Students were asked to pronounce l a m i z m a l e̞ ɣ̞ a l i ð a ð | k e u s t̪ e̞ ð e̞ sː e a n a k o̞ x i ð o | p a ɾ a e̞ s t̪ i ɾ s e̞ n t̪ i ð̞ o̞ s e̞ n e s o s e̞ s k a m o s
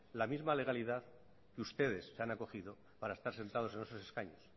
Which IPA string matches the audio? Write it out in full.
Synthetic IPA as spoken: l a m i z m a l e̞ ɣ̞ a l i ð a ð | k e u s t̪ e̞ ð e̞ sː e a n a k o̞ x i ð o | p a ɾ a e̞ s t̪ a ɾ s e̞ n t̪ a ð̞ o̞ s e̞ n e s o s e̞ s k a ɲ o s